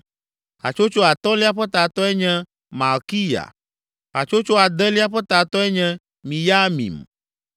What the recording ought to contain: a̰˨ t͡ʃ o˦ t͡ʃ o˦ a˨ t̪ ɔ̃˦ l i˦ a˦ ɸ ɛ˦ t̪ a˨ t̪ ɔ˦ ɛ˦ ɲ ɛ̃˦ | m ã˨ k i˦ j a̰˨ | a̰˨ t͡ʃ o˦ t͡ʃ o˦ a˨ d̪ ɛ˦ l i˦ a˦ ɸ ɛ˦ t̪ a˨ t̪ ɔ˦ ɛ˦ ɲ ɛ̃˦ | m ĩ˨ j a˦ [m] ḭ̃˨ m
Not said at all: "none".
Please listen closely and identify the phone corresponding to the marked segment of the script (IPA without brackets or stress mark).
m